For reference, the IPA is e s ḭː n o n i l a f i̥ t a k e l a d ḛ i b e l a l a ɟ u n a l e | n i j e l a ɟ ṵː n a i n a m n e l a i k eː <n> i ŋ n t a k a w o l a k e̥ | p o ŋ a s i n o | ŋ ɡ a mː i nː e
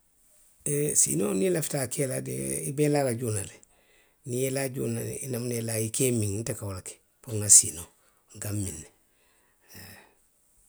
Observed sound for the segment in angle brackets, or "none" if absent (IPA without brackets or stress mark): m